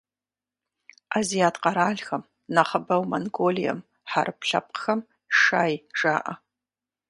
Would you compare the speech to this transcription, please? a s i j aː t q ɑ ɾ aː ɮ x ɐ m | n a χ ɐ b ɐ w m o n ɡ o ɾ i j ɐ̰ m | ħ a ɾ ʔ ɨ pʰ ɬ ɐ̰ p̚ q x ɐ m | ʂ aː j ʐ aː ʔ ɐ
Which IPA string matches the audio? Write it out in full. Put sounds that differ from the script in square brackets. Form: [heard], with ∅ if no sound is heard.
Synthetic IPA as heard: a [z] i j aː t q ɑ ɾ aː ɮ x ɐ m | n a χ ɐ b ɐ w m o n ɡ o [l] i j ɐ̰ m | ħ a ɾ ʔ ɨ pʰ ɬ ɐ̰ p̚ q x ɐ m | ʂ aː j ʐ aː ʔ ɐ